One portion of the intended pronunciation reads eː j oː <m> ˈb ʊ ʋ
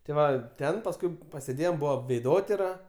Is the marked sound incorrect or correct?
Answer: correct